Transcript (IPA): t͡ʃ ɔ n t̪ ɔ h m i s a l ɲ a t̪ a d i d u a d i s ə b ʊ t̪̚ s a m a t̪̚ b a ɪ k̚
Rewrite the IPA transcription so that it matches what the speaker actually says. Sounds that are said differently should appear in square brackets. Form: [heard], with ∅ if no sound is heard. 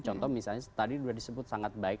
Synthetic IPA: t͡ʃ ɔ n t̪ ɔ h m i s a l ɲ a t̪ a d i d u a d i s ə b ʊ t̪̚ s a [ŋ] a t̪̚ b a ɪ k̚